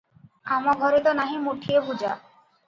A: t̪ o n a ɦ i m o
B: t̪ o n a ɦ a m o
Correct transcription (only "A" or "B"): A